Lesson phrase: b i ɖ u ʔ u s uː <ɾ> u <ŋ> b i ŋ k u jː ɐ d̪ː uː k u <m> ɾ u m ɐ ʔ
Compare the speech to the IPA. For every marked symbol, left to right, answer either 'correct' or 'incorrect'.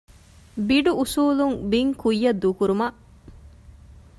incorrect, correct, incorrect

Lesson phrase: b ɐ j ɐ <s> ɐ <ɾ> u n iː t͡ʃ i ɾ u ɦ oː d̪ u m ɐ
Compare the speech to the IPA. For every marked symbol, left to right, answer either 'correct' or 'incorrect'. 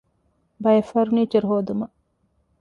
incorrect, correct

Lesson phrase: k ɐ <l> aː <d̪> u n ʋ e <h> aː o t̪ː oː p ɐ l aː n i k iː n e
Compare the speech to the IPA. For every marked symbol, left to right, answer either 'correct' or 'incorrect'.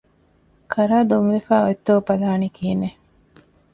incorrect, correct, incorrect

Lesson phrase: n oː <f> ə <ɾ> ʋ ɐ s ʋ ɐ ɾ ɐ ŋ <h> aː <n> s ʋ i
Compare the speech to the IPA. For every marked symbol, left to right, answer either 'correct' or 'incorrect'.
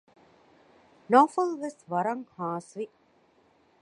correct, incorrect, correct, incorrect

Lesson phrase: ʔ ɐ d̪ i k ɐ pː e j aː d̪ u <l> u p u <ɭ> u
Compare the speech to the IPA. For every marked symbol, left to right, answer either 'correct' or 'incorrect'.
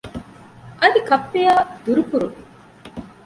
incorrect, incorrect

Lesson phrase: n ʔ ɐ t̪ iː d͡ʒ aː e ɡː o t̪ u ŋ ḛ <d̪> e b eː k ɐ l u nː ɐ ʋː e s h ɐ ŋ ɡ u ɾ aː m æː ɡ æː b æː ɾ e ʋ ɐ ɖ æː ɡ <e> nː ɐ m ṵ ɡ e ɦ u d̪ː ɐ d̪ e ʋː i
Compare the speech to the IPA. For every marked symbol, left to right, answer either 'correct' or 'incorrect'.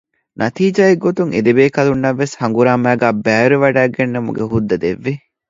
correct, correct

